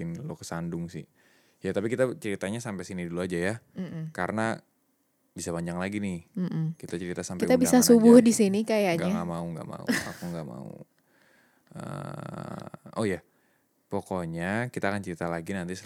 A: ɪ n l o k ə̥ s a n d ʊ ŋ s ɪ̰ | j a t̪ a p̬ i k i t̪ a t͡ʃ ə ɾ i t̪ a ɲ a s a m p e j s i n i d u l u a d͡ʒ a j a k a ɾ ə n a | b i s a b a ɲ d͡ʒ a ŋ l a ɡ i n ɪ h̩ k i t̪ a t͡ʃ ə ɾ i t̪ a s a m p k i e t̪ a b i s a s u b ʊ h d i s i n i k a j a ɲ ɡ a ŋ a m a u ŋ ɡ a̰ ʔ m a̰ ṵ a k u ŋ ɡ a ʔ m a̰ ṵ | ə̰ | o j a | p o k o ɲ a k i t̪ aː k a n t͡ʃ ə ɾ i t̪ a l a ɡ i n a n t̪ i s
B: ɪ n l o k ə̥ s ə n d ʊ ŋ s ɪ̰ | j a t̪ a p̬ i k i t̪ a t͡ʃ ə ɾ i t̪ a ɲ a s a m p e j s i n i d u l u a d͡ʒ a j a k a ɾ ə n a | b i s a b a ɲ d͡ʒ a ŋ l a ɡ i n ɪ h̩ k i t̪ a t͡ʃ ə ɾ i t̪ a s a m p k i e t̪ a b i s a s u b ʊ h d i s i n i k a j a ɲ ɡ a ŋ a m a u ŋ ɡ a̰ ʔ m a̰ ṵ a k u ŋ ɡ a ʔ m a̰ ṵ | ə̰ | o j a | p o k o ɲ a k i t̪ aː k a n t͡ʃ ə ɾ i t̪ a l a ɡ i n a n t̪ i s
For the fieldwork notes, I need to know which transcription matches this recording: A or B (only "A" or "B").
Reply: A